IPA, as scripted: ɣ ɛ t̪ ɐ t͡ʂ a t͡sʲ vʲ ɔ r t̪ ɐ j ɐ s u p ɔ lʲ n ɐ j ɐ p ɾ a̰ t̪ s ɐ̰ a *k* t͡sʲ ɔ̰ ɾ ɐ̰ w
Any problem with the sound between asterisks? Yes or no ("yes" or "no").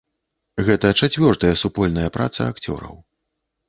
no